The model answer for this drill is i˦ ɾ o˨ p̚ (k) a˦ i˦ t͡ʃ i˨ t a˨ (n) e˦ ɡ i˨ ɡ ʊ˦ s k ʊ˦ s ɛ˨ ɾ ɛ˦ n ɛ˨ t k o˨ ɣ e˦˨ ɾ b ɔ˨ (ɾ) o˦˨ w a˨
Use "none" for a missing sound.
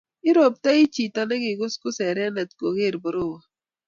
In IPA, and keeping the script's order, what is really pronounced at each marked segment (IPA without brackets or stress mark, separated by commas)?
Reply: t, n, ɾ